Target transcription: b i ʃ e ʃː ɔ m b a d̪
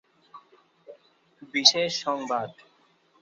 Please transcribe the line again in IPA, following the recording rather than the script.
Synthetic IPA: b i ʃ e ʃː ɔ ŋ b a d̪